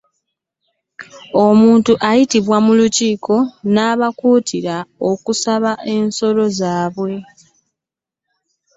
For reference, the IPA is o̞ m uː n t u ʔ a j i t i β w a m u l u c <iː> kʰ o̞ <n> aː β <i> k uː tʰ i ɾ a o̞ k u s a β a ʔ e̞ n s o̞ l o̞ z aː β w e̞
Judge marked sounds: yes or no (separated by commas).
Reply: yes, yes, no